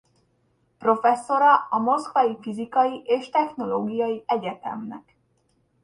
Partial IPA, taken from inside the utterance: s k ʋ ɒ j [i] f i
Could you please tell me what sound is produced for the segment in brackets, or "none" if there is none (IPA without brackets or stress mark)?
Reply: i